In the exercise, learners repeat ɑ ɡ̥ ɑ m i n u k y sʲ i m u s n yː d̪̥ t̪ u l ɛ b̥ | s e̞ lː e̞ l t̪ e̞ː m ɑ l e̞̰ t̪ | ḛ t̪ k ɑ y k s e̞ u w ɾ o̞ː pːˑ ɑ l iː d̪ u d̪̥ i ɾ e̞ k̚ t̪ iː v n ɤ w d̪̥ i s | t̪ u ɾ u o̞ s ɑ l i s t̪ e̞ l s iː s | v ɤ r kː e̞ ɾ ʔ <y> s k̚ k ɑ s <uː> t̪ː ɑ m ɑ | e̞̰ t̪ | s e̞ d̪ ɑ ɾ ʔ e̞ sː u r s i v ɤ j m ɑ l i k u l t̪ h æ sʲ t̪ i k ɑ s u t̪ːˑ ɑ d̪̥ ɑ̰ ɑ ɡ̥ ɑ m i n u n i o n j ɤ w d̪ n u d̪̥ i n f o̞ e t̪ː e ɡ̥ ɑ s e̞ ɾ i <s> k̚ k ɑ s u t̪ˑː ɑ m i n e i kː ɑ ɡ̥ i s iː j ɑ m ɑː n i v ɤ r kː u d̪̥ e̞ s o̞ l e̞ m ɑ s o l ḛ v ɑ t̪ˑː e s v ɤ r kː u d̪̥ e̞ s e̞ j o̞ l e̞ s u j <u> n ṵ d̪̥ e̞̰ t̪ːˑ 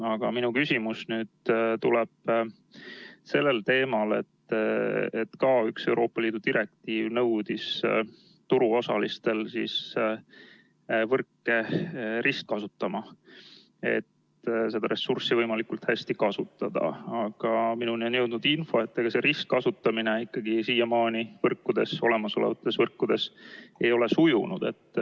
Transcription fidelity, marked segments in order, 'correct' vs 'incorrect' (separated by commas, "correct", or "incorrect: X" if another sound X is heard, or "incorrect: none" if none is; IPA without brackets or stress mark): incorrect: i, incorrect: u, correct, correct